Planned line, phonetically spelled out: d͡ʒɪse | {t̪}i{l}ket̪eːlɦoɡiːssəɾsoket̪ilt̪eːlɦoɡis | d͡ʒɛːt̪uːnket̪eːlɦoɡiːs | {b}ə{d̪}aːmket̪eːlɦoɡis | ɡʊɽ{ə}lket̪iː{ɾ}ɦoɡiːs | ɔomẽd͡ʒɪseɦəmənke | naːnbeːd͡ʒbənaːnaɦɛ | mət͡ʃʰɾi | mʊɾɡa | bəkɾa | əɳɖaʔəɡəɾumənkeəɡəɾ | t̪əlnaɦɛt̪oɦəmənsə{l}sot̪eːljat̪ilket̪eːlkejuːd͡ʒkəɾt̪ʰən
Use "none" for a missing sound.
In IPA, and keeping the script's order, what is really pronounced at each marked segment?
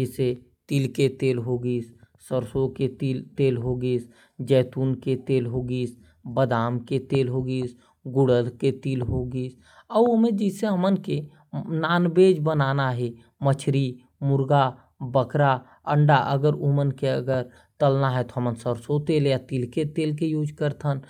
t̪, l, b, d̪, ə, l, ɾ

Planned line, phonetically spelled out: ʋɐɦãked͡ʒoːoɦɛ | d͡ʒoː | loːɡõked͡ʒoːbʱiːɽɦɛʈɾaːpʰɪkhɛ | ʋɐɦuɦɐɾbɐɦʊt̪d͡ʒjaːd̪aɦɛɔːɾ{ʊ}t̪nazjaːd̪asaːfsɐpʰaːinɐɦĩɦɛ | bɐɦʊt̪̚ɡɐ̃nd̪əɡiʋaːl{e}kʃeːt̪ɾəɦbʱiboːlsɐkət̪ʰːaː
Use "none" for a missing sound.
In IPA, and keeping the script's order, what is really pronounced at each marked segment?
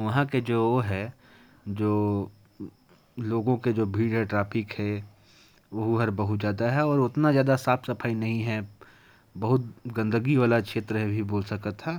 ʊ, a

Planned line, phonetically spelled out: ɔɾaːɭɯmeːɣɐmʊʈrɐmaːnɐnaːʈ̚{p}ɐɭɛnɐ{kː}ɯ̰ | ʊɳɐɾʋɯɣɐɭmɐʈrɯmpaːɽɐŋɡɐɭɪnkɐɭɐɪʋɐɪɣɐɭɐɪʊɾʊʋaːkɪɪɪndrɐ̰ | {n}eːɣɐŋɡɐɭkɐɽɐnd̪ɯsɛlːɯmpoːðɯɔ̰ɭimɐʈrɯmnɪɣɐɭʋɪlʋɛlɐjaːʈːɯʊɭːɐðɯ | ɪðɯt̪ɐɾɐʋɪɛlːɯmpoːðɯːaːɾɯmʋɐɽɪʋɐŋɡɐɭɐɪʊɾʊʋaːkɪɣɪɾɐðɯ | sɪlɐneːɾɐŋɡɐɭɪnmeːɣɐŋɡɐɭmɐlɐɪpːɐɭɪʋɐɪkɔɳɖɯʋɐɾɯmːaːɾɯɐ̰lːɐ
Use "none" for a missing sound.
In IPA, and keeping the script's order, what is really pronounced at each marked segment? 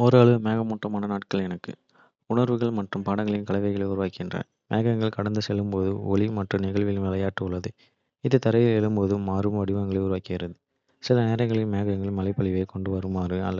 k, kː, m

